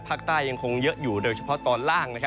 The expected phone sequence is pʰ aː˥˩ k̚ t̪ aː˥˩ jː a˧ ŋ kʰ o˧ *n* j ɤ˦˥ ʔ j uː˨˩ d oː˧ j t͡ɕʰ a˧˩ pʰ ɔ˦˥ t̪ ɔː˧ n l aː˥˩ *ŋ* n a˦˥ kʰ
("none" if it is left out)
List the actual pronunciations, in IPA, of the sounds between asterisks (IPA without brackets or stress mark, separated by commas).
ŋ, ŋ